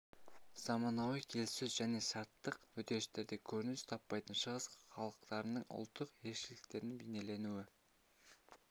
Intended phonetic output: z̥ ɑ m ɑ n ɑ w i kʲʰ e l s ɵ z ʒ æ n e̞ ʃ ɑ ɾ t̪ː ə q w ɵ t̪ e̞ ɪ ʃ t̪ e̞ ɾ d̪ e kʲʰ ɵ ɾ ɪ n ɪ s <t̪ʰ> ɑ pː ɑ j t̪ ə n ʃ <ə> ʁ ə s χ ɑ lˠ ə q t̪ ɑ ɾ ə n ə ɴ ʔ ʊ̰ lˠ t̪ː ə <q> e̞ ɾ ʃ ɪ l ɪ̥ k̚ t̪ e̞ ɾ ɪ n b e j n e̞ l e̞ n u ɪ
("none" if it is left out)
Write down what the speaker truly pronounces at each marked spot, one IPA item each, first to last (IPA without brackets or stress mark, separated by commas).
t̪ʰ, ə, q